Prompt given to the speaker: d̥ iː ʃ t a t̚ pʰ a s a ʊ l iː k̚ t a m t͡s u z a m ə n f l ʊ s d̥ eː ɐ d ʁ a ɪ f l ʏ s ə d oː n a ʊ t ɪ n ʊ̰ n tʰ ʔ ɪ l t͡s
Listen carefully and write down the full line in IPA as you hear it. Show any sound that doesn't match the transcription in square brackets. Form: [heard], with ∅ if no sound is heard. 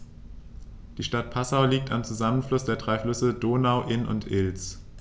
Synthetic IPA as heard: d̥ iː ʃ t a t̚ pʰ a s a ʊ l iː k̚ t a m t͡s u z a m ə n f l ʊ s d̥ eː ɐ d ʁ a ɪ f l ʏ s ə d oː n a ʊ [ʔ] ɪ n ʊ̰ n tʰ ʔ ɪ l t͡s